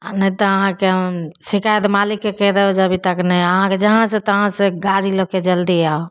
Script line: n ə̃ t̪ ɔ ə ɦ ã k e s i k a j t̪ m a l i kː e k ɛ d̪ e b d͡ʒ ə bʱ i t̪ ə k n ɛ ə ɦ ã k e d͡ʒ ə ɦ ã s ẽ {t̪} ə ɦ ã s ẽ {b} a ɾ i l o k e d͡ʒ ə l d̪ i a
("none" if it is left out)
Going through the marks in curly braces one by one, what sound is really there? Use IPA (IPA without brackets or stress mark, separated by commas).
t̪, ɡ